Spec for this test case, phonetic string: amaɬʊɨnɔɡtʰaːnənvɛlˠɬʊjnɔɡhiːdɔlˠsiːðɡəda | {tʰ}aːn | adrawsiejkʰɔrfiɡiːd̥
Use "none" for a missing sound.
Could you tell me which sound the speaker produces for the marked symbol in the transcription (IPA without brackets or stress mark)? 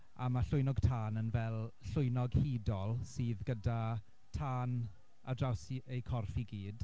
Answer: tʰ